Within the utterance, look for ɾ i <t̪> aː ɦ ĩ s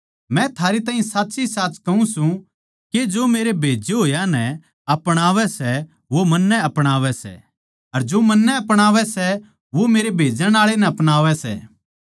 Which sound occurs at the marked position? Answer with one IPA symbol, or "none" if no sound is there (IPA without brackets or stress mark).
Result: t̪